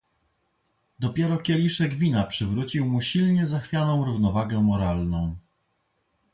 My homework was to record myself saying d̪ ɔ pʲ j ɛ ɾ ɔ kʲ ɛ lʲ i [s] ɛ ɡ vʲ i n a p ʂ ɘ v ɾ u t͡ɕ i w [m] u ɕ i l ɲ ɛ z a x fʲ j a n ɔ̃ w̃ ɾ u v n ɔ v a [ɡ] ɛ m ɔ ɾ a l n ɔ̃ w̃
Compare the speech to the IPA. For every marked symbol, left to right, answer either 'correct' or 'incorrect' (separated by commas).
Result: incorrect, correct, correct